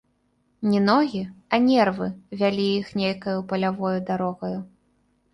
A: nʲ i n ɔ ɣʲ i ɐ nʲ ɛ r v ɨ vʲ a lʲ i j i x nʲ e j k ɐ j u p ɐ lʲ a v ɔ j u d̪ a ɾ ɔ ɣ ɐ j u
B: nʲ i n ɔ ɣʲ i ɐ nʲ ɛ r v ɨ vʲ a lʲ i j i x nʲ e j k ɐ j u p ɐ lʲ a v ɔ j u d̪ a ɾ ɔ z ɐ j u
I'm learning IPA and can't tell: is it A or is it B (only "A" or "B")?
A